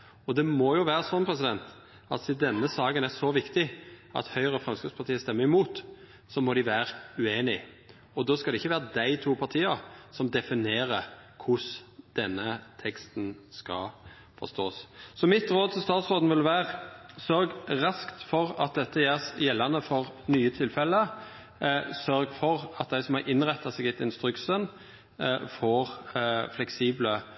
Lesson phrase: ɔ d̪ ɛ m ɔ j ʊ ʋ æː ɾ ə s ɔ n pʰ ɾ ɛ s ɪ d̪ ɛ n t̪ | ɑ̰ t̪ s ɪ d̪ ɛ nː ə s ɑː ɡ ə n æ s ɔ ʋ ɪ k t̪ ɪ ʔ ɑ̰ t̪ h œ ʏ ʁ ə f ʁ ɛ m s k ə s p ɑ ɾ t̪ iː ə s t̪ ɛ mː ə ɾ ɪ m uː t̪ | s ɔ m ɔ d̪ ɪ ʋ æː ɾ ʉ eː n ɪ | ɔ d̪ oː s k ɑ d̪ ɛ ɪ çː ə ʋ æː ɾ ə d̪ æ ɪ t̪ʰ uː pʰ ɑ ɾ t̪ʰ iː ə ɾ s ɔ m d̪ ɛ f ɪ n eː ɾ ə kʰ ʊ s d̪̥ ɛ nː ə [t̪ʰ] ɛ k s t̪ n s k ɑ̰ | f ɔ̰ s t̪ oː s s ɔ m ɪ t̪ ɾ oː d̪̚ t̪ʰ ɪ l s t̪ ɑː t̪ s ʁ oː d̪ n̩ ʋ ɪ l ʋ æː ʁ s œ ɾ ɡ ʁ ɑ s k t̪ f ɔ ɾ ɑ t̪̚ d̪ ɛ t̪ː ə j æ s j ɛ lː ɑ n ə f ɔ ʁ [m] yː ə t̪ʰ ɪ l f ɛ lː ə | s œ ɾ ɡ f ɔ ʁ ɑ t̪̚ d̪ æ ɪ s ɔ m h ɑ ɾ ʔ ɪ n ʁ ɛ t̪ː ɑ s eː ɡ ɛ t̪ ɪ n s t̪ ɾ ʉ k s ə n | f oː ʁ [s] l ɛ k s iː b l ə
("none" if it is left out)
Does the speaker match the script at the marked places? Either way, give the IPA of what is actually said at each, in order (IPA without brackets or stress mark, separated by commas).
t̪ʰ, n, f